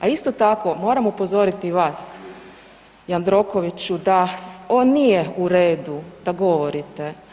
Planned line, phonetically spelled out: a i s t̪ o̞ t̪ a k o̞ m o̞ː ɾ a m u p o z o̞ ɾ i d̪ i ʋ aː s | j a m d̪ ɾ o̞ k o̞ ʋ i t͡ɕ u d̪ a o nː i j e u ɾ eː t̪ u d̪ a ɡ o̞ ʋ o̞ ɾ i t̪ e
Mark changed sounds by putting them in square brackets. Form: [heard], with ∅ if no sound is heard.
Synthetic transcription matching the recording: a i s t̪ o̞ t̪ a k o̞ m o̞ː ɾ a m u p o z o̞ ɾ i [t̪] i ʋ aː s | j a [n] d̪ ɾ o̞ k o̞ ʋ i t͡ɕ u d̪ a o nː i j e u ɾ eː [d̪] u d̪ a ɡ o̞ ʋ o̞ ɾ i t̪ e